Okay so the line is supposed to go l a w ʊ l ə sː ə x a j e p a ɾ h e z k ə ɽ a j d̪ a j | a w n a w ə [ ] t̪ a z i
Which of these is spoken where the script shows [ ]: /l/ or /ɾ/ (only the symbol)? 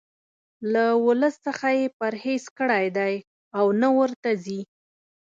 ɾ